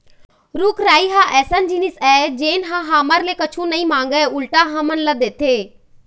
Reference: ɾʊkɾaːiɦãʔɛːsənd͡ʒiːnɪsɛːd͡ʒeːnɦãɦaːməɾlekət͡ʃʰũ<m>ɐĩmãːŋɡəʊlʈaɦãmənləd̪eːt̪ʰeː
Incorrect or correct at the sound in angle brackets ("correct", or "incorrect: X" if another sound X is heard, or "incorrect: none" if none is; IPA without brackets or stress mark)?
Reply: incorrect: n